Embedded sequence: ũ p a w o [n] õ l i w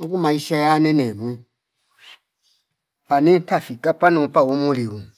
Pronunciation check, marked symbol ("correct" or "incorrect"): incorrect